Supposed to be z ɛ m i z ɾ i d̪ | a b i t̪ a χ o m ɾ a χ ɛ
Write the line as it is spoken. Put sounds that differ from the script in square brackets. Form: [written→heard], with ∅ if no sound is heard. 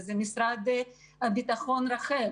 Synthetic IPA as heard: z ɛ m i [z→s] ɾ [i→a] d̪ | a b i t̪ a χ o [m→n] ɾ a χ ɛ